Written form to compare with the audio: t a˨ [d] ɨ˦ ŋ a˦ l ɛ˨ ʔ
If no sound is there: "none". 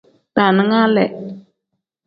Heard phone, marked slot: n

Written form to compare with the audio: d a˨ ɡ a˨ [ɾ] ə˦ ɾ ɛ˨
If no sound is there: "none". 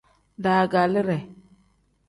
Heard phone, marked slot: l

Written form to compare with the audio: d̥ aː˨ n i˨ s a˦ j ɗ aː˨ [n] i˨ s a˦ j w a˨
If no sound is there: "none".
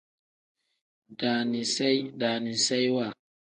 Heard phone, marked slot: n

